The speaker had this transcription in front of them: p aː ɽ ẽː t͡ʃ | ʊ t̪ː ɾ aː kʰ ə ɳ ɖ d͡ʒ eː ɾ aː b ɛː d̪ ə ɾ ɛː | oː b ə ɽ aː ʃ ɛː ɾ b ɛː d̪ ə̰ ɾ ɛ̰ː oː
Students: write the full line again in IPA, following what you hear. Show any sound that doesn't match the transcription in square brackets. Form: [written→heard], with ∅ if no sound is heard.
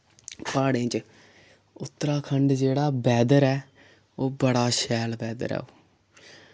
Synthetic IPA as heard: p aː ɽ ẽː t͡ʃ | ʊ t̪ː ɾ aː kʰ ə ɳ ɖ d͡ʒ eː [ɾ→ɽ] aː b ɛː d̪ ə ɾ ɛː | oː b ə ɽ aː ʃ ɛː [ɾ→l] b ɛː d̪ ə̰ ɾ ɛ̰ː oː